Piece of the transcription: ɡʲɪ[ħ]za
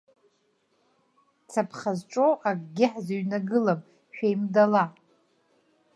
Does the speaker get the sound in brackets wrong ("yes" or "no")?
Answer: no